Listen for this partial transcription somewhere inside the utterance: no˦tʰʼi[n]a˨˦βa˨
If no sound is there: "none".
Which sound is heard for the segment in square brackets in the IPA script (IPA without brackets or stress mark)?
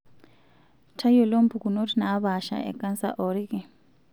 n